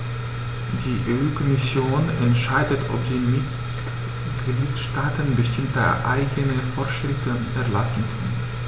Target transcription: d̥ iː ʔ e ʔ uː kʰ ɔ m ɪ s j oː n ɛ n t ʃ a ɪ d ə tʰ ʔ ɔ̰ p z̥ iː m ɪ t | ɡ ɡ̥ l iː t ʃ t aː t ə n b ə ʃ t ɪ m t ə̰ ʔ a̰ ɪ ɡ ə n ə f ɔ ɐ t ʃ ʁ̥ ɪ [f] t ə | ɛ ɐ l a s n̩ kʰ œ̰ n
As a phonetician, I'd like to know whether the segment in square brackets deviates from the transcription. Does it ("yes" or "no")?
no